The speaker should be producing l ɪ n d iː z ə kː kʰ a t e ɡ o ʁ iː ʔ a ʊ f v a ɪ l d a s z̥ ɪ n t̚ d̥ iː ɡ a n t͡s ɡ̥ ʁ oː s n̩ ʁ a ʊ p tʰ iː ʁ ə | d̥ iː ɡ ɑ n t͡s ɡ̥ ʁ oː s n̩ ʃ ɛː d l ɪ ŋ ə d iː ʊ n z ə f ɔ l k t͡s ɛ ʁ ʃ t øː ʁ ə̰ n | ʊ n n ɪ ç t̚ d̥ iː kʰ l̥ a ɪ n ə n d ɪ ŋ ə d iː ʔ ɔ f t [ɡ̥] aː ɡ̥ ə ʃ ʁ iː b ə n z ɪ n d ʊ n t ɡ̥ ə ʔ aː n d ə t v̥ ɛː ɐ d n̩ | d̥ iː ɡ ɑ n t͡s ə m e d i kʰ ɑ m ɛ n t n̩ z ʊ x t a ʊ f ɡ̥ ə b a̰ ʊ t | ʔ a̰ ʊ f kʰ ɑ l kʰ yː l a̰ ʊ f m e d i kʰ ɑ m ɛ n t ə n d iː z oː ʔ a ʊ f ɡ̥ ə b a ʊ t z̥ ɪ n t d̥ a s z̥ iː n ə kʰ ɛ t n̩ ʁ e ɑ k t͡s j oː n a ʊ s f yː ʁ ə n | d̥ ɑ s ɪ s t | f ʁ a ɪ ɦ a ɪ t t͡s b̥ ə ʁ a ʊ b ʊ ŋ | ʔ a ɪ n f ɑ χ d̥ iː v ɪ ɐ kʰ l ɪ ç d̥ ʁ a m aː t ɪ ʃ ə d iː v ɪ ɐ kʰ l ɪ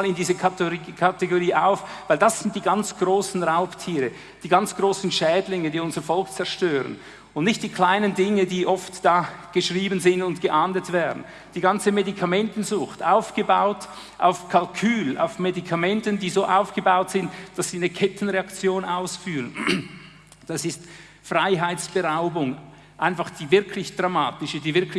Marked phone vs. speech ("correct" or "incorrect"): incorrect